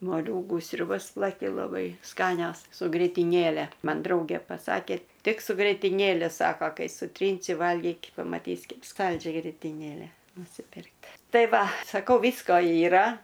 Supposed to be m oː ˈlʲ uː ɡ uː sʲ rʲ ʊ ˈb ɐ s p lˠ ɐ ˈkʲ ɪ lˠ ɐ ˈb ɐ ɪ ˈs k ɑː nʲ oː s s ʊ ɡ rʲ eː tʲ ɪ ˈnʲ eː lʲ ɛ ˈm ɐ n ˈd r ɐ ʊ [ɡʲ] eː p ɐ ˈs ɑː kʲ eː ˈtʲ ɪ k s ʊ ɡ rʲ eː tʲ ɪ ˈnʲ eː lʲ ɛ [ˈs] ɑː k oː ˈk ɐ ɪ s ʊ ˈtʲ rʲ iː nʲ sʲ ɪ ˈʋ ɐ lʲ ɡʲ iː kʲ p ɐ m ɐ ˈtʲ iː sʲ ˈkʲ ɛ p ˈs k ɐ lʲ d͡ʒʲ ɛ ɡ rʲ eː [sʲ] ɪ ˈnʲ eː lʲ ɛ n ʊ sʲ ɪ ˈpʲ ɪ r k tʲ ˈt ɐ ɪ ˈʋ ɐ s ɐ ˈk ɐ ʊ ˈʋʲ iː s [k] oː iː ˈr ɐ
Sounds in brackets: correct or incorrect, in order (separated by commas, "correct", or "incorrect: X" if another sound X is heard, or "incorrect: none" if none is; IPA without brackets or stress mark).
correct, correct, incorrect: tʲ, correct